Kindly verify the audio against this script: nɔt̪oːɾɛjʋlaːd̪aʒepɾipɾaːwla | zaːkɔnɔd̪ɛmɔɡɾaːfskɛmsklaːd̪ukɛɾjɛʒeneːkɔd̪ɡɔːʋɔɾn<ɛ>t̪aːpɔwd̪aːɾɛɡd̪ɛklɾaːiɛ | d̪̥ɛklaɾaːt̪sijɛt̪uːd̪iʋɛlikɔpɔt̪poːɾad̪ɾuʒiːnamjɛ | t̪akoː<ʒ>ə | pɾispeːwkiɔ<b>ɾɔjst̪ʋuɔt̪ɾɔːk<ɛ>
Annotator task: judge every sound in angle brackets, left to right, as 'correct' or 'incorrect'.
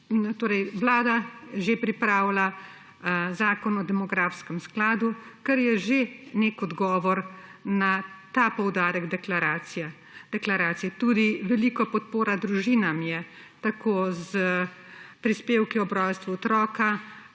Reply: incorrect, incorrect, correct, incorrect

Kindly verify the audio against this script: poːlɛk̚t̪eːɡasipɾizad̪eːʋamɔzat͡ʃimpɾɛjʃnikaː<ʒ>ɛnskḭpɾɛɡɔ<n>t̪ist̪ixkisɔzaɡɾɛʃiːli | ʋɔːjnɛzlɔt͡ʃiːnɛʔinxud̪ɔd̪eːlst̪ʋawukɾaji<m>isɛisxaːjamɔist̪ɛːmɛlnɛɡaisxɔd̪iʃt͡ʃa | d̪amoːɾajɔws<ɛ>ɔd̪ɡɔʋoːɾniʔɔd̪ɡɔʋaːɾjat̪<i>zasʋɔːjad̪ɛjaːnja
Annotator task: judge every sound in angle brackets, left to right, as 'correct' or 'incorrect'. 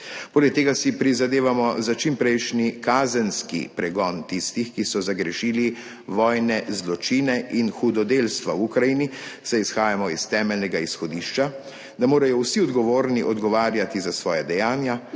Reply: incorrect, correct, incorrect, incorrect, correct

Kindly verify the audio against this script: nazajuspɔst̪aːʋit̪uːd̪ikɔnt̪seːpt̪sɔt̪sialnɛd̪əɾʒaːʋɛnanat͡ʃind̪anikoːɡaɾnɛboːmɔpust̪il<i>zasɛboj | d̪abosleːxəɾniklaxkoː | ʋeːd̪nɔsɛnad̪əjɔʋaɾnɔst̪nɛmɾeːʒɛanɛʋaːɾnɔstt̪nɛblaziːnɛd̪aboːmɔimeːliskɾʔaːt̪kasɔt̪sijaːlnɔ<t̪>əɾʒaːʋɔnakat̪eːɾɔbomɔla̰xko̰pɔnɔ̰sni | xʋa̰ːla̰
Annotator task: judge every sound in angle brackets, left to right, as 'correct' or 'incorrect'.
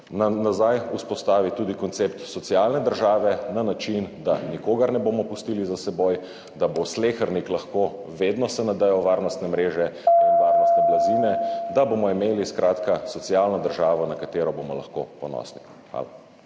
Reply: correct, incorrect

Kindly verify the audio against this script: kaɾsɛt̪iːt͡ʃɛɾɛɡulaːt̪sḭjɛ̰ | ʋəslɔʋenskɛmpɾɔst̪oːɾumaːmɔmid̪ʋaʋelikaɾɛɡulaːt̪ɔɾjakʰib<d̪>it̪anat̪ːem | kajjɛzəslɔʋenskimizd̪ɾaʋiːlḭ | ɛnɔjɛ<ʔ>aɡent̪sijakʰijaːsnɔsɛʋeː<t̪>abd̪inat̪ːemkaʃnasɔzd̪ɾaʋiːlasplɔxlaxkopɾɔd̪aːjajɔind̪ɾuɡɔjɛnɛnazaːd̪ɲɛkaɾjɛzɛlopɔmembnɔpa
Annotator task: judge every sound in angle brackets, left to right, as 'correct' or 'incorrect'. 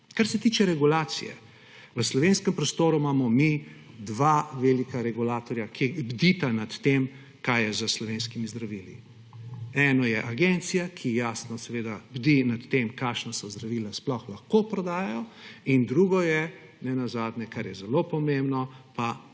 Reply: correct, correct, incorrect

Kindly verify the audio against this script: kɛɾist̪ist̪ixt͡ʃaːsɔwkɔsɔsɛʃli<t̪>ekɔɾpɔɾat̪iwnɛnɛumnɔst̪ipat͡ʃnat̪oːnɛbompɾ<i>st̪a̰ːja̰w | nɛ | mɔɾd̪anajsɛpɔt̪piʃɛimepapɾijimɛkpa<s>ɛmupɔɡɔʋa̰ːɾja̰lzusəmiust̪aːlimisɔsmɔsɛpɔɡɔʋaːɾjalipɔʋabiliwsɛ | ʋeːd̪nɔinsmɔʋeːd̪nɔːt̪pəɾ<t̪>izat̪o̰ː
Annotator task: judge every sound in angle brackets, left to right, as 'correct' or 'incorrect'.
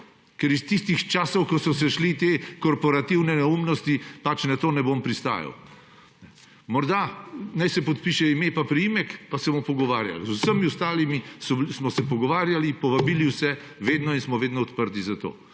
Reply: correct, correct, correct, correct

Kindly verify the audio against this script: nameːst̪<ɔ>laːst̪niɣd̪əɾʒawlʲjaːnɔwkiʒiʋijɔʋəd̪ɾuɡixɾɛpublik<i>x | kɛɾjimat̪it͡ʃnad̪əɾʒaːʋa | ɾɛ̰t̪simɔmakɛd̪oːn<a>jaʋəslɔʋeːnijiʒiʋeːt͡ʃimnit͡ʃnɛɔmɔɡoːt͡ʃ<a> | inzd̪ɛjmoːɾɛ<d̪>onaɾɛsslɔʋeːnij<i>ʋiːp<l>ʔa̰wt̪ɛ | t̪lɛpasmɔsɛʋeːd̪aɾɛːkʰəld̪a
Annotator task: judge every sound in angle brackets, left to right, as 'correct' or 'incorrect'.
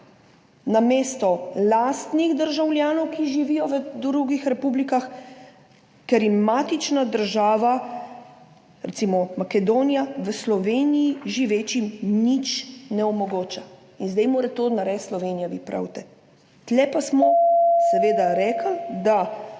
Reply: correct, incorrect, incorrect, correct, incorrect, incorrect, incorrect

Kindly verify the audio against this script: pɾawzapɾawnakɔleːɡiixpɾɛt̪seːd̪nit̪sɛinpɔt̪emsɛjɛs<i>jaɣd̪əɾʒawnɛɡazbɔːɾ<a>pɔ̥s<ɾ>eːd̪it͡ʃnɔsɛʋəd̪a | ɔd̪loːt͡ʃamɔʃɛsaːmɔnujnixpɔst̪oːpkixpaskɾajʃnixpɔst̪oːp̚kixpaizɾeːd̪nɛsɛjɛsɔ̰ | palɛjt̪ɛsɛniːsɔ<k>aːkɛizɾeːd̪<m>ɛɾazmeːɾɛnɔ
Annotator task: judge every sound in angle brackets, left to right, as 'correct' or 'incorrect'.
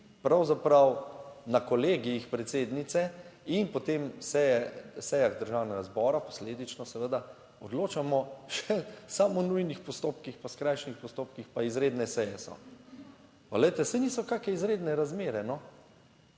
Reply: incorrect, correct, incorrect, correct, incorrect

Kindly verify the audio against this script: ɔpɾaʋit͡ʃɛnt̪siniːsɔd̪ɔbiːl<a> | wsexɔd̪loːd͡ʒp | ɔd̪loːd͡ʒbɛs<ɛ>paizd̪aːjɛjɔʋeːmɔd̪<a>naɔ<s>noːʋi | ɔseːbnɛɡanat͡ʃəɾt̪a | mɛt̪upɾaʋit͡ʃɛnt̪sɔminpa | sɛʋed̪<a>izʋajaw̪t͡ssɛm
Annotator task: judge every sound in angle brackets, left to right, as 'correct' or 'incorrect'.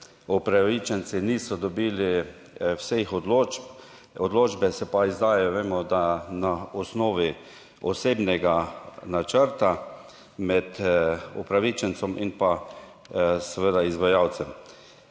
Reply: incorrect, correct, correct, correct, correct

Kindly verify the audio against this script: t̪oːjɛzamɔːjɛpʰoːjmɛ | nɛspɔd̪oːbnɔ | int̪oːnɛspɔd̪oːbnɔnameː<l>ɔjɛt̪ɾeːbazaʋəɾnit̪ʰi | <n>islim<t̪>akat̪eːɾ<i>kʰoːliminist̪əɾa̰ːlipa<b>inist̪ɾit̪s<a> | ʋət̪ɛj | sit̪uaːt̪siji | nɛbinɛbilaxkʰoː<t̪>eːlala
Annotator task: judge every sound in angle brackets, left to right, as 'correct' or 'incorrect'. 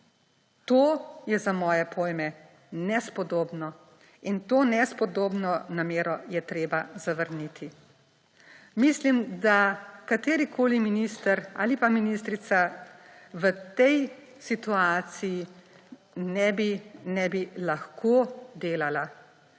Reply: incorrect, incorrect, incorrect, correct, incorrect, correct, incorrect

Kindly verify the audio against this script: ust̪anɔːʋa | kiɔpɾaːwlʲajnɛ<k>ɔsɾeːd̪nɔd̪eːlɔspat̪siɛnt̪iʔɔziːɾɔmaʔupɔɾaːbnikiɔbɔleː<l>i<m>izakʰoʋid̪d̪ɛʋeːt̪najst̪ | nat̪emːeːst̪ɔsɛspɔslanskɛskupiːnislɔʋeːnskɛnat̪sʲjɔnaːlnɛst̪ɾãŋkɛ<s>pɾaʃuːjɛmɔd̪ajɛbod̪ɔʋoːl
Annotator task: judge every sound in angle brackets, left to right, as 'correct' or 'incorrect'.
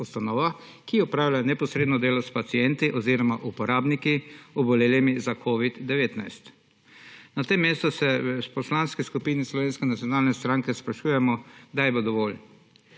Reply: incorrect, correct, correct, correct

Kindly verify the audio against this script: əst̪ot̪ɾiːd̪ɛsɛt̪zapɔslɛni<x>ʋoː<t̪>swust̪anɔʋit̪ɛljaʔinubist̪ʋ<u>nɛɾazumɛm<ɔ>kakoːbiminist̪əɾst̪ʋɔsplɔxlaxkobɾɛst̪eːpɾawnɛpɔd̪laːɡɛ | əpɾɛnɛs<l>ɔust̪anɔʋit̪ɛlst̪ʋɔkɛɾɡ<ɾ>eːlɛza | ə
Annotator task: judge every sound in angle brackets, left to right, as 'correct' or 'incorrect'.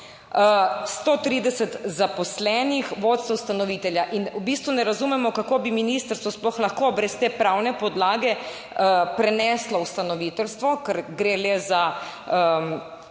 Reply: correct, correct, correct, correct, correct, correct

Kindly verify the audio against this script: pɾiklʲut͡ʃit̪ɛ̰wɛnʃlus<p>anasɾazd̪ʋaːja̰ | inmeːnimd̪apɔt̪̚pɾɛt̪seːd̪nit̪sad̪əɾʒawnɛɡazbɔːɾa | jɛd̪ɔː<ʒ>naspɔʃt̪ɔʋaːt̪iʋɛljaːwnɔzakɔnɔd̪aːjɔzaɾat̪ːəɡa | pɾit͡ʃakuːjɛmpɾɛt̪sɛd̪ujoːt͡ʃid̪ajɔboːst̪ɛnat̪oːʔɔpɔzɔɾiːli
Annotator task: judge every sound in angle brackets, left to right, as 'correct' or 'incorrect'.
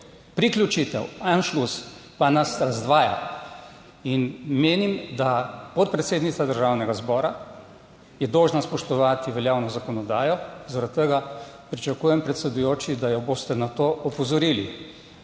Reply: correct, correct

